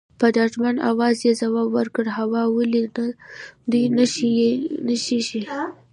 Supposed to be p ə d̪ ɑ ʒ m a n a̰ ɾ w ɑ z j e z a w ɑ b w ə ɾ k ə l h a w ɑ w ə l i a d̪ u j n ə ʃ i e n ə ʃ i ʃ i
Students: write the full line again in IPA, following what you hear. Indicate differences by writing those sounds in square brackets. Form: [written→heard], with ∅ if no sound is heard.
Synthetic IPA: p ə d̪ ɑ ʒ m a n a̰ [ɾ→∅] w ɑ z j e z a w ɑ b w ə ɾ k ə [l→ɽ] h a w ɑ w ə l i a d̪ u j n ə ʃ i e n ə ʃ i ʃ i